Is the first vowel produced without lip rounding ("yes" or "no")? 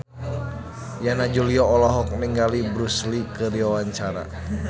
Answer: yes